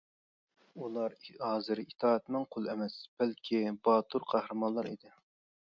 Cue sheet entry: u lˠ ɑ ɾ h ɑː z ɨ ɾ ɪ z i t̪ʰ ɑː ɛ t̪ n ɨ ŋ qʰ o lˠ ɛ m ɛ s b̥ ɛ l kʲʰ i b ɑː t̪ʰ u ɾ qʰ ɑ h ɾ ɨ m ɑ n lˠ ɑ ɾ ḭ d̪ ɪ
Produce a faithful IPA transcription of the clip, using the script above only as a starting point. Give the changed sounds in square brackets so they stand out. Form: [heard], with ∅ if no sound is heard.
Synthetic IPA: u lˠ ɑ ɾ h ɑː z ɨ ɾ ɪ [∅] i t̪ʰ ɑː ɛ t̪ n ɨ ŋ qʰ o lˠ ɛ m ɛ s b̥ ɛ l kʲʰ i b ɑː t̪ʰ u ɾ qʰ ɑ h ɾ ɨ m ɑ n lˠ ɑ ɾ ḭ d̪ ɪ